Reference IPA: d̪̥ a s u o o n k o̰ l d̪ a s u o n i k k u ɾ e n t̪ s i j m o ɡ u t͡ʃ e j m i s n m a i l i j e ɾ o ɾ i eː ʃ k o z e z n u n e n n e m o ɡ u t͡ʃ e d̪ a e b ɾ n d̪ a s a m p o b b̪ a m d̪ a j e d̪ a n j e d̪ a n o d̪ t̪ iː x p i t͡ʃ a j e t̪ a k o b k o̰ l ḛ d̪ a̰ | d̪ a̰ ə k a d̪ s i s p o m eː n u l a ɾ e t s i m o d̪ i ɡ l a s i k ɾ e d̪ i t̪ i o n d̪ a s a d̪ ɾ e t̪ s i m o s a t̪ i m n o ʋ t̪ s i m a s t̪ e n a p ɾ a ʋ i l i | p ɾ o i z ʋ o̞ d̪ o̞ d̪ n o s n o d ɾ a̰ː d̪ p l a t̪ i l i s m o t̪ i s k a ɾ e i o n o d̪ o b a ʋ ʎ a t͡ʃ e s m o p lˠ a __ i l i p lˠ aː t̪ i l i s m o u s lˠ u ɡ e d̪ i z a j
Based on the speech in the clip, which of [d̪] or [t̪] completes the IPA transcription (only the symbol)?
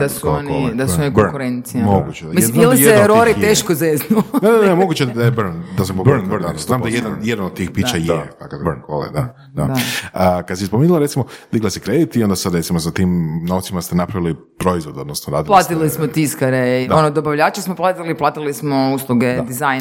t̪